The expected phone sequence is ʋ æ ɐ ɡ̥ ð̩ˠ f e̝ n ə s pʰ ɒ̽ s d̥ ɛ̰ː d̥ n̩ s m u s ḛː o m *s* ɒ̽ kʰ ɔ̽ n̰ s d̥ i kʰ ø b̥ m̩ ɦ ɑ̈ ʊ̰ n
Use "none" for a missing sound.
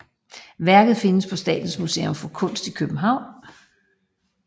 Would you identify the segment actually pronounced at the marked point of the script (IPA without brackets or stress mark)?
f